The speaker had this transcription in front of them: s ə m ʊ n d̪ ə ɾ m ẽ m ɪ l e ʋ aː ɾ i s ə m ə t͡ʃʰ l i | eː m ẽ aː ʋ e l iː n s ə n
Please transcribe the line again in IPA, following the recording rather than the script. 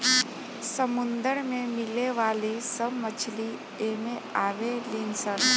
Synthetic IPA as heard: s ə m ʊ n d̪ ə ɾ m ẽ m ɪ l e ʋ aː l i s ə m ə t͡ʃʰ l i | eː m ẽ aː ʋ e l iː n s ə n